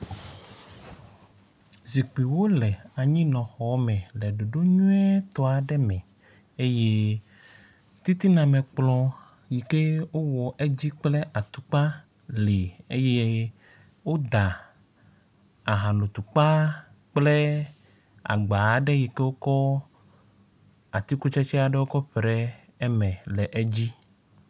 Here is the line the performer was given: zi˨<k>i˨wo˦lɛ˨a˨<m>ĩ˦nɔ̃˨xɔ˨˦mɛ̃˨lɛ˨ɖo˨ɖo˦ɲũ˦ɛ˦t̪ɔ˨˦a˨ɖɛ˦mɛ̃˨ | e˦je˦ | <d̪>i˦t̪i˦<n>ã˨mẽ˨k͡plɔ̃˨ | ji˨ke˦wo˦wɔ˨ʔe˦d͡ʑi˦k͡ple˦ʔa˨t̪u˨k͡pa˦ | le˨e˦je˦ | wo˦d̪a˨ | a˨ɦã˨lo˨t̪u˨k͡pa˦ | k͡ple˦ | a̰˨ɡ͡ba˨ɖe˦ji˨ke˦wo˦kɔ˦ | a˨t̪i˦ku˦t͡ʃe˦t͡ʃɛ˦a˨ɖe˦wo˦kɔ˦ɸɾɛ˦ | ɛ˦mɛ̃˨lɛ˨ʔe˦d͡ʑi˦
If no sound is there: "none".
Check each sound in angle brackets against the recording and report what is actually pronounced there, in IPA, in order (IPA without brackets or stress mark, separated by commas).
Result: k͡p, ɲ, t̪, n